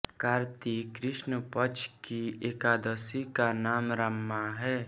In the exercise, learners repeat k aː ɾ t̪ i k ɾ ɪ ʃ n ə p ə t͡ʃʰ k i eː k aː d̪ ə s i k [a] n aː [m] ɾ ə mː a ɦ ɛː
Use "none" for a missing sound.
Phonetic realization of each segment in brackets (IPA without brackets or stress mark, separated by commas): a, m